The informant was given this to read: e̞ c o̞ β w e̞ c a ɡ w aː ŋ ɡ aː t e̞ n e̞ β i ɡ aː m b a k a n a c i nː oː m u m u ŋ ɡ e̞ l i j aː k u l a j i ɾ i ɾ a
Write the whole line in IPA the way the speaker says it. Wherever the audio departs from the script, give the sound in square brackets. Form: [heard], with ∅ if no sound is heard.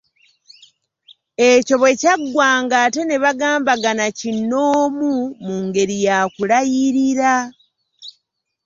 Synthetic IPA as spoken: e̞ c o̞ β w e̞ c a ɡ w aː ŋ ɡ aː t e̞ n e̞ β [a] ɡ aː m b a [ɡ] a n a c i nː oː m u m u ŋ ɡ e̞ [ɾ] i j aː k u l a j i ɾ i ɾ a